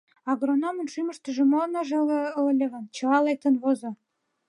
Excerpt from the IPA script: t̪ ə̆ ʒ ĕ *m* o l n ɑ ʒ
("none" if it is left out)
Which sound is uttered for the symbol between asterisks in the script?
m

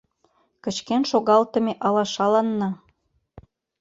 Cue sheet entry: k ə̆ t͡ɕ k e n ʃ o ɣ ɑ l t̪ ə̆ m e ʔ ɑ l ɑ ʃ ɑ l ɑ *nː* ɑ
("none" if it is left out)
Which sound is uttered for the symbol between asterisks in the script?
nː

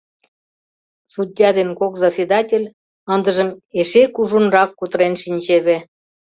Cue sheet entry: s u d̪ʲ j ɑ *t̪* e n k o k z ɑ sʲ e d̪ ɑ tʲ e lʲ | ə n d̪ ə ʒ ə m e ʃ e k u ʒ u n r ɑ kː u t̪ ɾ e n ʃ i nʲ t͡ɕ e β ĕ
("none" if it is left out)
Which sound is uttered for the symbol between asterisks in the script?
d̪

